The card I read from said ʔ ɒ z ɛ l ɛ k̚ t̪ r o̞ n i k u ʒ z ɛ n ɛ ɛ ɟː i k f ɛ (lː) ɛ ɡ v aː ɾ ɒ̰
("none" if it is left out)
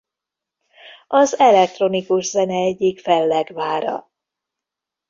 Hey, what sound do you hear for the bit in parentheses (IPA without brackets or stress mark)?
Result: lː